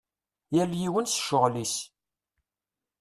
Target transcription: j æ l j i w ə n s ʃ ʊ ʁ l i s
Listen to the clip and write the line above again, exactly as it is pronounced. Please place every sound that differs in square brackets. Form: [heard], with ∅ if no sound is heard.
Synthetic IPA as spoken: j æ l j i w ə n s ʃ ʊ ʁ l i s